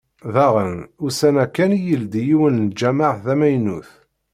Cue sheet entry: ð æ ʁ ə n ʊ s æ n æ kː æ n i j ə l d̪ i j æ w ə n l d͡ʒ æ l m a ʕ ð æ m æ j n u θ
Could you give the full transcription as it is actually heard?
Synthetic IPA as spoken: ð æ ʁ ə n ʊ s æ n æ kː æ n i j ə l d̪ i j i w ə n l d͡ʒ æ m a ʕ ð æ m æ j n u θ